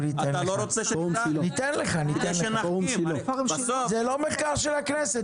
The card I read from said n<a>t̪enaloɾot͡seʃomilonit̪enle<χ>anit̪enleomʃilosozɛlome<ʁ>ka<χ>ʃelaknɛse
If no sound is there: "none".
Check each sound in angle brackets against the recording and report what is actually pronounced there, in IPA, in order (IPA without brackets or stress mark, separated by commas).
i, χ, χ, ʁ